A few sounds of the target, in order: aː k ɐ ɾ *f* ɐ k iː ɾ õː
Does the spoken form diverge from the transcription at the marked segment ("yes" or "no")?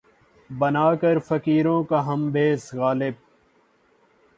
no